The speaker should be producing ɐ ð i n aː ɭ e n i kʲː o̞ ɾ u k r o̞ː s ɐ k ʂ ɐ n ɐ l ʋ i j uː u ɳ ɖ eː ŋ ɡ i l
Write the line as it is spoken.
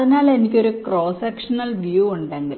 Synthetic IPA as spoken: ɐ ð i n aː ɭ e n i kʲː o̞ ɾ u k r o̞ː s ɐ k ʂ ɐ n ɐ l ʋ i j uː u ɳ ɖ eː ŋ ɡ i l

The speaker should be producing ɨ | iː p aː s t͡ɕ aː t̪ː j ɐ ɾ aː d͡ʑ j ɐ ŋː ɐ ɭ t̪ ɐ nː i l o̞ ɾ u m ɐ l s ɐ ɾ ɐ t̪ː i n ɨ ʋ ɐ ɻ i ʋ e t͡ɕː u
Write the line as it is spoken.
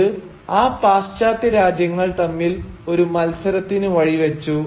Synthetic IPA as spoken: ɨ | aː p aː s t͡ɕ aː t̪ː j ɐ ɾ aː d͡ʑ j ɐ ŋː ɐ ɭ t̪ ɐ mː i l o̞ ɾ u m ɐ l s ɐ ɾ ɐ t̪ː i n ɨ ʋ ɐ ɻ i ʋ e t͡ɕː u

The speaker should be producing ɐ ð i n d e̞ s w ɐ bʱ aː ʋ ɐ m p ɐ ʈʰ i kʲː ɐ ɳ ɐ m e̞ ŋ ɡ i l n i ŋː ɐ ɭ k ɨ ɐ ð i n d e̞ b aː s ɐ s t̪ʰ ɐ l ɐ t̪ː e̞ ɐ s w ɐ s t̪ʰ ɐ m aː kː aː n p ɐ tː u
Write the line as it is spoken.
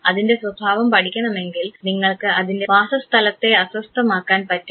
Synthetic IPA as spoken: ɐ ð i n d e̞ s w ɐ bʱ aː ʋ ɐ m p ɐ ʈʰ i kʲː ɐ ɳ ɐ m e̞ ŋ ɡ i l n i ŋː ɐ ɭ k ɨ ɐ ð i n d e̞ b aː s ɐ s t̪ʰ ɐ l ɐ t̪ː e̞ ɐ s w ɐ s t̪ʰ ɐ m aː kː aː n p ɐ tː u

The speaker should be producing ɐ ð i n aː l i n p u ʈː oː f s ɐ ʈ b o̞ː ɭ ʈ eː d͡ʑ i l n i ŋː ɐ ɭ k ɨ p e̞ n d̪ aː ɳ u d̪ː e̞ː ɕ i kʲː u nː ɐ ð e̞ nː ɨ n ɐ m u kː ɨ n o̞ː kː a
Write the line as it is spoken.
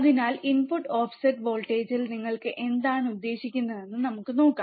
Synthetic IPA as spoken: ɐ ð i n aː l i n p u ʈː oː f s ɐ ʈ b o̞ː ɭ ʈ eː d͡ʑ i l n i ŋː ɐ ɭ k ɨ ʔ e̞ n d̪ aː ɳ u d̪ː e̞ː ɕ i kʲː u nː ɐ ð e̞ nː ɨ n ɐ m u kː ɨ n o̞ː kː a

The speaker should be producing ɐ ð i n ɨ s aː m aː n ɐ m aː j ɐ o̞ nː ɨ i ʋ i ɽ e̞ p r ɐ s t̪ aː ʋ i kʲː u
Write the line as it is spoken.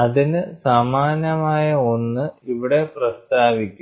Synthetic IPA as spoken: ɐ ð i n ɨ s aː m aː n ɐ m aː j ɐ o̞ nː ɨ i ʋ i ɽ e̞ p r ɐ s t̪ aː ʋ i kʲː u

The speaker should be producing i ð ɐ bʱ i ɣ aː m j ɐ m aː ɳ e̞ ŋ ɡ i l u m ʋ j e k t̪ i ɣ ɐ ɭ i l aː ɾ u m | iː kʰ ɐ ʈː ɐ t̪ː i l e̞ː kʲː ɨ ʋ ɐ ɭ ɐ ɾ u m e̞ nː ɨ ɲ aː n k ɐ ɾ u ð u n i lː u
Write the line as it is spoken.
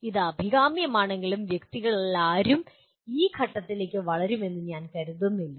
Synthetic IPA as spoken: i ð ɐ bʱ i ɣ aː m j ɐ m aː ɳ e̞ ŋ ɡ i l u m ʋ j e k t̪ i ɣ ɐ ɭ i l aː ɾ u m | iː kʰ ɐ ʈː ɐ t̪ː i l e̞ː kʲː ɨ ʋ ɐ ɭ ɐ ɾ u m e̞ nː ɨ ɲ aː n k ɐ ɾ u ð u nː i lː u

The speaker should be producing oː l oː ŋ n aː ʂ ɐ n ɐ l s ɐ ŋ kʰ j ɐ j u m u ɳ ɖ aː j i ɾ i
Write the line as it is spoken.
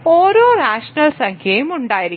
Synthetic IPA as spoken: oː ɾ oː n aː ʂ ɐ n ɐ l s ɐ ŋ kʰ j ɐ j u m u ɳ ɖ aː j i ɾ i

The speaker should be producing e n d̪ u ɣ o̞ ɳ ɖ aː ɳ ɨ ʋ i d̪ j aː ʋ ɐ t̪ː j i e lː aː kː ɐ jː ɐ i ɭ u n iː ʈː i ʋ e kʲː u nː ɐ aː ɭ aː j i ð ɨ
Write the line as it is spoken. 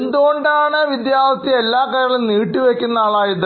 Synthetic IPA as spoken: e n d̪ u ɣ o̞ ɳ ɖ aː ɳ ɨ ʋ i d̪ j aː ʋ ɐ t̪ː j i e lː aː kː ɐ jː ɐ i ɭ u n iː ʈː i ʋ e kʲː u nː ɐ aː ɭ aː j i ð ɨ

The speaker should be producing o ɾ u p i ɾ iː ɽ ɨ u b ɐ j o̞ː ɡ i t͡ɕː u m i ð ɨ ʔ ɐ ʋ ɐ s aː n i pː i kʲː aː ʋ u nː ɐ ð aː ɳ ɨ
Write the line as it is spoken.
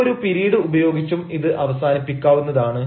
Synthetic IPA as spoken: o ɾ u p i ɾ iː ɽ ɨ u b ɐ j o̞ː ɡ i t͡ɕː u m i ð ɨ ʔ ɐ ʋ ɐ s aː n i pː i kʲː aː ʋ u nː ɐ ð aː ɳ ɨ

